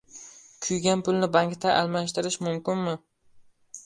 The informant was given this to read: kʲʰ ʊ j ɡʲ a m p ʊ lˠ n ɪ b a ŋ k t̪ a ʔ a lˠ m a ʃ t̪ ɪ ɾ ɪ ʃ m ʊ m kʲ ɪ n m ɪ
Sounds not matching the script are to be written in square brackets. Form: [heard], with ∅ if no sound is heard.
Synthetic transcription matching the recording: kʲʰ ʊ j ɡʲ a [n] p ʊ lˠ n ɪ b a ŋ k t̪ a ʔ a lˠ m a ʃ t̪ ɪ ɾ ɪ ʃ m ʊ m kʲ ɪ n m ɪ